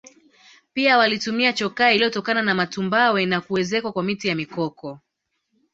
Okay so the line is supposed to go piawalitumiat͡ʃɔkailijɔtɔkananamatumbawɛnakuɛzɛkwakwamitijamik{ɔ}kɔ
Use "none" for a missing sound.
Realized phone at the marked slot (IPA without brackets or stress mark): ɔ